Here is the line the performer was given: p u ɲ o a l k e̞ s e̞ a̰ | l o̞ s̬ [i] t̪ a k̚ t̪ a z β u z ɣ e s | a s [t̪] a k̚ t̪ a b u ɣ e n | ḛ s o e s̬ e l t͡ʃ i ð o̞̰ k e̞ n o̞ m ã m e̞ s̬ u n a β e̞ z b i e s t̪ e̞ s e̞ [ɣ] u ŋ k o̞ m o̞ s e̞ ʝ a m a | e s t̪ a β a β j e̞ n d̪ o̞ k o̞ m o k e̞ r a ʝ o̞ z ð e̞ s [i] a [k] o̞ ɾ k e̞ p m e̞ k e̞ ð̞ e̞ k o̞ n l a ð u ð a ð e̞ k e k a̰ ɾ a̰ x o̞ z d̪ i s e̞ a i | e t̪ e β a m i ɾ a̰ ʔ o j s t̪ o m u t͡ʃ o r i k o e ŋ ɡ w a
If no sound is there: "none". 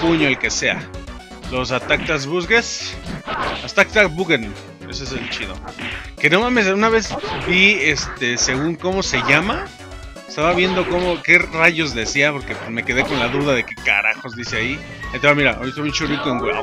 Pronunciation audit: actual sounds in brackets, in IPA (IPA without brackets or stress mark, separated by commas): a, t̪, ɣ, i, p